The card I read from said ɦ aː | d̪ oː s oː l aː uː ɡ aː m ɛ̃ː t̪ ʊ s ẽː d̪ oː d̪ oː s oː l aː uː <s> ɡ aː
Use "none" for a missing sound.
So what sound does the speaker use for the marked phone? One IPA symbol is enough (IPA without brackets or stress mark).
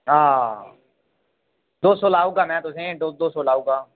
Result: none